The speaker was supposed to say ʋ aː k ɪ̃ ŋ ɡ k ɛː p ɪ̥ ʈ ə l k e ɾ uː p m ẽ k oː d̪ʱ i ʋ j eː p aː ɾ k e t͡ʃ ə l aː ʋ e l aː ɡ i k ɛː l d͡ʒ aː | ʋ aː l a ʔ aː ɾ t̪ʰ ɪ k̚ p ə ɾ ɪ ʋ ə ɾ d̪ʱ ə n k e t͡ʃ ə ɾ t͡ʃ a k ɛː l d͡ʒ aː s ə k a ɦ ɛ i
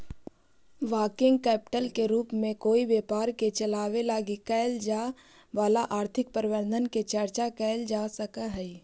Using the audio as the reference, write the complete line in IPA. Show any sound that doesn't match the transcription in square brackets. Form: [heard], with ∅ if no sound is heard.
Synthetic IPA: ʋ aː k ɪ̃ ŋ ɡ k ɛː p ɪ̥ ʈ ə l k e ɾ uː p m ẽ k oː [∅] i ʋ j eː p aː ɾ k e t͡ʃ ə l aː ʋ e l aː ɡ i k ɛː l d͡ʒ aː | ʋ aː l a ʔ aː ɾ t̪ʰ ɪ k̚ p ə ɾ ɪ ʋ ə ɾ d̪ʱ ə n k e t͡ʃ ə ɾ t͡ʃ a k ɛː l d͡ʒ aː s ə k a ɦ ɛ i